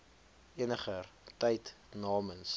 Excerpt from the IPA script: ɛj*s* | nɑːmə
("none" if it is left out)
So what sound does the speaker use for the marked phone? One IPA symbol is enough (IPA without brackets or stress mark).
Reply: t